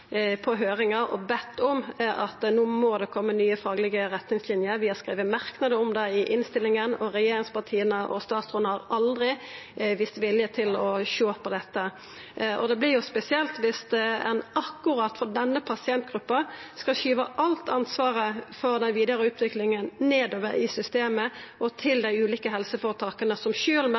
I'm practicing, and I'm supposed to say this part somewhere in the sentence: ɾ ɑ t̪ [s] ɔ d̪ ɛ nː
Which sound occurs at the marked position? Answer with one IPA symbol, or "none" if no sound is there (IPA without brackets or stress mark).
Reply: f